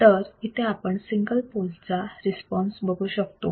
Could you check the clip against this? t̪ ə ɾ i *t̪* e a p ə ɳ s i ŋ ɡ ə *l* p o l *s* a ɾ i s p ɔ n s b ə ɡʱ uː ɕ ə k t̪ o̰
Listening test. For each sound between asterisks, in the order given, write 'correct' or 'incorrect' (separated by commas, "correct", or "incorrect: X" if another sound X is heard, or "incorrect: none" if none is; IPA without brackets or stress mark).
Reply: incorrect: t̪ʰ, correct, incorrect: t͡s